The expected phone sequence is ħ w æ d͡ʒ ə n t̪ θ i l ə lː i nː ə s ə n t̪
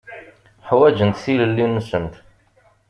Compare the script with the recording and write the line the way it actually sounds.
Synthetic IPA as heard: ħ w æ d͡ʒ ə n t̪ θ i l ə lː i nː ə s ə m t̪